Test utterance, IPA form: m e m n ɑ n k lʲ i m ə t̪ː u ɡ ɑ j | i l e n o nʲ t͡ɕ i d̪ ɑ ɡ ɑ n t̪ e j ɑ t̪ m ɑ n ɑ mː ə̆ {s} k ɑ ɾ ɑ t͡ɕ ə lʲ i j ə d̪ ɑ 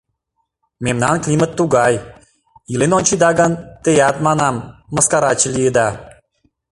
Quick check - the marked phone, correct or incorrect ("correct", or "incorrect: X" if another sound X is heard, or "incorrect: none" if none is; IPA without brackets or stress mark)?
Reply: correct